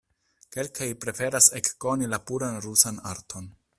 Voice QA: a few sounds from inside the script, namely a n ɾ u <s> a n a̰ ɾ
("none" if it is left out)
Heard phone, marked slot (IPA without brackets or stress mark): s